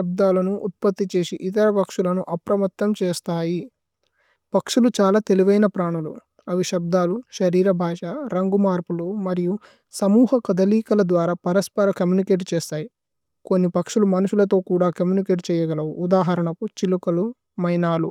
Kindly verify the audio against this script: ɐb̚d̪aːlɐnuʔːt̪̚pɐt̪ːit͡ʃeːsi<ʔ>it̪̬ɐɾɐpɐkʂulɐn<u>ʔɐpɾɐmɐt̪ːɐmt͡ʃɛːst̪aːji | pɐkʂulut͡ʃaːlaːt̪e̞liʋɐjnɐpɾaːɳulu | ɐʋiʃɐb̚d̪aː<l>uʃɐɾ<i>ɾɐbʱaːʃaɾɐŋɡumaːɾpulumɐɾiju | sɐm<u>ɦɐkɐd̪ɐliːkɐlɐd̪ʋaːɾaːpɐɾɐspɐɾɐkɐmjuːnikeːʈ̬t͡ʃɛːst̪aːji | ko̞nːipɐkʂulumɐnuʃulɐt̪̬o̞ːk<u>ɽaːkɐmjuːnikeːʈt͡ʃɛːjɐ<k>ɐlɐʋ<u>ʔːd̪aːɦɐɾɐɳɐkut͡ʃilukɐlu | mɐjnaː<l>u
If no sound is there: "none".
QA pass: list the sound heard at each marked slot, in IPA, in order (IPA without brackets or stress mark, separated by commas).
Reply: ʔ, u, l, iː, uː, uː, ɡ, u, l